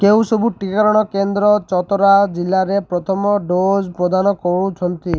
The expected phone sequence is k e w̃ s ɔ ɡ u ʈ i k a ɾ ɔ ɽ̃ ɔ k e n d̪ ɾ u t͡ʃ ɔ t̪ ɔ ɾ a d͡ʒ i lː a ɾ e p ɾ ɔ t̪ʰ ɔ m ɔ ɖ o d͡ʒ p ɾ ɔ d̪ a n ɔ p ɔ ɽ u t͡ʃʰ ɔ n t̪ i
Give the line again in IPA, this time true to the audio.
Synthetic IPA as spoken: k e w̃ s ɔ b u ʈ i k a ɾ ɔ ɽ̃ ɔ k e n d̪ ɾ ɔ t͡ʃ ɔ t̪ ɔ ɾ a d͡ʒ i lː a ɾ e p ɾ ɔ t̪ʰ ɔ m ɔ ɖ o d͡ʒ p ɾ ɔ d̪ a n ɔ k ɔ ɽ u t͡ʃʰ ɔ n t̪ i